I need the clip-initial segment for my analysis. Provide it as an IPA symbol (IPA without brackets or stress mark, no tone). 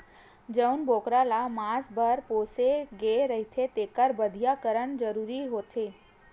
d͡ʒ